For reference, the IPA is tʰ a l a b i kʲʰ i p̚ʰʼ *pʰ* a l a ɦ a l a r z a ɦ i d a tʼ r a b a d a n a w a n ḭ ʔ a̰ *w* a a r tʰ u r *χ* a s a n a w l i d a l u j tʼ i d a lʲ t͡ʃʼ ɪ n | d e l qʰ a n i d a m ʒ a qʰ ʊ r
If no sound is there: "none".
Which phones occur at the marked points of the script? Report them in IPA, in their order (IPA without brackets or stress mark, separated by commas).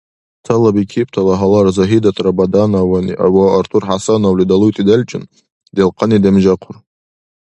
tʰ, w, ħ